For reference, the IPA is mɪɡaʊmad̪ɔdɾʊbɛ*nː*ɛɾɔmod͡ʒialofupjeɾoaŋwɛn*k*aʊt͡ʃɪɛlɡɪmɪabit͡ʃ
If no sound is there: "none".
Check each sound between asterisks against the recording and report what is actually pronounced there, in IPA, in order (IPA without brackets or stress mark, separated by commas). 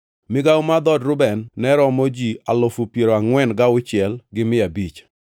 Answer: nː, ɡ